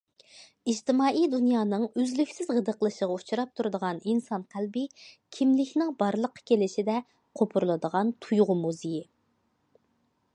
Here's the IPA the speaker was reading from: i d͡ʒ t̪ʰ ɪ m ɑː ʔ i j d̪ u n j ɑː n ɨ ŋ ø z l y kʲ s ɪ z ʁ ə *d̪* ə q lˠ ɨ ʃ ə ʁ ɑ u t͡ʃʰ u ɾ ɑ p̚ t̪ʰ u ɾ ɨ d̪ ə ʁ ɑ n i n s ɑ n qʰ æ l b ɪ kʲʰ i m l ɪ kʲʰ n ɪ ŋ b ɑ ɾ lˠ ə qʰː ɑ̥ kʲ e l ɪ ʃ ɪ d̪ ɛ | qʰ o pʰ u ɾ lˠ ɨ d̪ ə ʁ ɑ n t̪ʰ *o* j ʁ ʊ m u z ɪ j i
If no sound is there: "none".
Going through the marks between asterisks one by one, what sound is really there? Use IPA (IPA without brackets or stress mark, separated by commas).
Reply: d̪, u